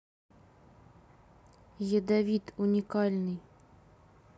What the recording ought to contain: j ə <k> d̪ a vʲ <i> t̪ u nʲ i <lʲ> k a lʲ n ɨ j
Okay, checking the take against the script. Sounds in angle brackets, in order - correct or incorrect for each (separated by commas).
incorrect, correct, incorrect